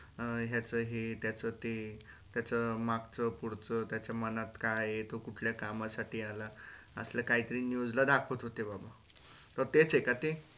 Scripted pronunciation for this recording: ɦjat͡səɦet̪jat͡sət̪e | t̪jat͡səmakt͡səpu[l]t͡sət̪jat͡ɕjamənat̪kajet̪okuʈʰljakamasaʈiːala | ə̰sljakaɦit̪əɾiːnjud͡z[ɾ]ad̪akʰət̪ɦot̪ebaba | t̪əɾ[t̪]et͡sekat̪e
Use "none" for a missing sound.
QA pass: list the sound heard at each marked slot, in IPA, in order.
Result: ɽ, l, t̪

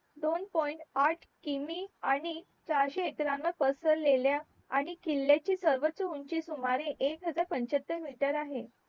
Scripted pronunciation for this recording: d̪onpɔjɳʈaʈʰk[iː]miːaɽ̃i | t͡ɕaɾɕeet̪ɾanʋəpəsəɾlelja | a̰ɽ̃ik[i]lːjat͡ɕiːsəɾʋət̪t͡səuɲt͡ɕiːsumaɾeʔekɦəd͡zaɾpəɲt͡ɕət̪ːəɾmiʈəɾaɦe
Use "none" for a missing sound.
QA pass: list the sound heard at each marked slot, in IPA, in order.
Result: i, i

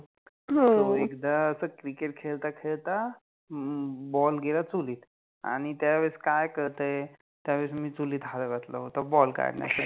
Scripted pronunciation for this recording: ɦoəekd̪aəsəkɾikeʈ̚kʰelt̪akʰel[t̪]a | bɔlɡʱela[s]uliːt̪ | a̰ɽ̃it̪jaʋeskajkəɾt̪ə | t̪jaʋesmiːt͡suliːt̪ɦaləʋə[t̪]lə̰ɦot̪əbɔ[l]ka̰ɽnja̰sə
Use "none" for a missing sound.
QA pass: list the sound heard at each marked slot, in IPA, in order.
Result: t̪, t͡s, t̪, l

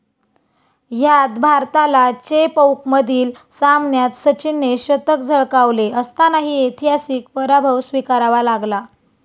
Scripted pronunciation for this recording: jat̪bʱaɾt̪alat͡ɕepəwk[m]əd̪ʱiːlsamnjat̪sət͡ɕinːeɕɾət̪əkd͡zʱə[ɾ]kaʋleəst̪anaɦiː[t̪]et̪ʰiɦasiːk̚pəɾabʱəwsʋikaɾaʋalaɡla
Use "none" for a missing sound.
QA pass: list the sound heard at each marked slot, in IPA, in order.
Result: m, ɭ, none

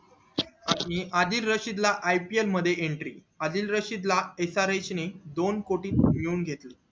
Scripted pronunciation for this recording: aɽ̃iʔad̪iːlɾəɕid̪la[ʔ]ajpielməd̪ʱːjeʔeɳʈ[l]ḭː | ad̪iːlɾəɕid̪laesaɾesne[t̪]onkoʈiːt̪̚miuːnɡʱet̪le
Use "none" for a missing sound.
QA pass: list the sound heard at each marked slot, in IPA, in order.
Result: ʔ, ɾ, d̪

